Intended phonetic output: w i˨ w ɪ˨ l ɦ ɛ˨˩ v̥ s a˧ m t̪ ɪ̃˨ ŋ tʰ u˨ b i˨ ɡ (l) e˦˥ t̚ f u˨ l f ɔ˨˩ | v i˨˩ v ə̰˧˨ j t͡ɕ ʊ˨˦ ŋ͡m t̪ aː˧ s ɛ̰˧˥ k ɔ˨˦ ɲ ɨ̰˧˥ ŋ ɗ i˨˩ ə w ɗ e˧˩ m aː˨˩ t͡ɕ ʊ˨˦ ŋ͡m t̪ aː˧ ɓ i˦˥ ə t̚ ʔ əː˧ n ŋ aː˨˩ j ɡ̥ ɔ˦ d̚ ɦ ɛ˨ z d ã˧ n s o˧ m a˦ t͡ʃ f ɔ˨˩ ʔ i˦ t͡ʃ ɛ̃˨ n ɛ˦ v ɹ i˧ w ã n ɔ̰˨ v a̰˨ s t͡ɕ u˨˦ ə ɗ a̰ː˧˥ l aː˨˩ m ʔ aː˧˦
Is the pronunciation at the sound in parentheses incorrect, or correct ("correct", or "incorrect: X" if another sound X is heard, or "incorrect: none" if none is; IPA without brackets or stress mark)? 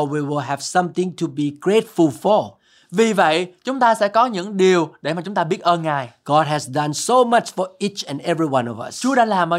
incorrect: ɹ